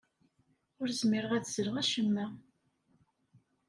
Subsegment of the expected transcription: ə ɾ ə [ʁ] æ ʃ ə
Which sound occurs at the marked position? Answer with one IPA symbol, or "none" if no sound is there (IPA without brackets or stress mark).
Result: ʁ